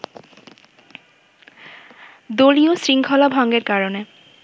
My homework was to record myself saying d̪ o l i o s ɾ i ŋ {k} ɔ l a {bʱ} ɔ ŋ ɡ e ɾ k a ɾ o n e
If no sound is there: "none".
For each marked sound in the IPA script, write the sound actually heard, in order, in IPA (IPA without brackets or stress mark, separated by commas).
kʰ, bʱ